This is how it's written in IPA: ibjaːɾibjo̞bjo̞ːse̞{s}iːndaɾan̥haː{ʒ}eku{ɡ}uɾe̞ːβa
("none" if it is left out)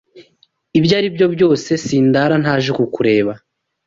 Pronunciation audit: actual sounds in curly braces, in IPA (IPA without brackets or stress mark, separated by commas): s, ʒ, k